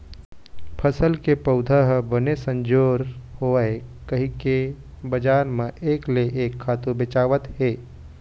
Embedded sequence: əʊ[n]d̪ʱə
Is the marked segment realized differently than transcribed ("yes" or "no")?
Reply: yes